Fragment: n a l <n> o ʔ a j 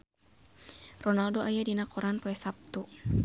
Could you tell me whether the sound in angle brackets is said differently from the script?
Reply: yes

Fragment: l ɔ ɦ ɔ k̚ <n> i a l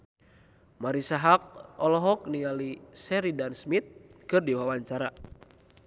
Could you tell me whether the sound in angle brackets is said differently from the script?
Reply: no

